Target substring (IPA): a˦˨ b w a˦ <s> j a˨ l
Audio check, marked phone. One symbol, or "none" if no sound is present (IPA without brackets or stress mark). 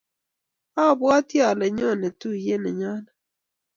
t